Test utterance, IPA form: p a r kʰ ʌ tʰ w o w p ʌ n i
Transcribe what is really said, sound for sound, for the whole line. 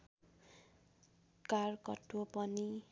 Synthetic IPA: k a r k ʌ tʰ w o p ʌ n i